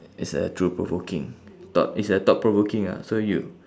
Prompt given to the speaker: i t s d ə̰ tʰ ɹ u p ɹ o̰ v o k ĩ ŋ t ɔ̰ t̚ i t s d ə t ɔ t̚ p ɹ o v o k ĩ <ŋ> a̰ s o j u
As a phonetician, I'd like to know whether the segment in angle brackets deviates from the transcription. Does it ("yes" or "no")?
no